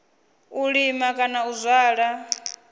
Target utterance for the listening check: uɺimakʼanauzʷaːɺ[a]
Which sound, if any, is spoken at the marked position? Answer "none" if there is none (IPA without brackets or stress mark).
a